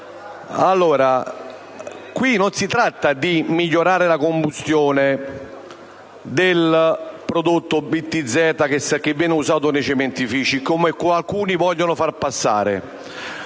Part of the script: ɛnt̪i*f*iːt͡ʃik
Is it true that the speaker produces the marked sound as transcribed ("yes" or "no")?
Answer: yes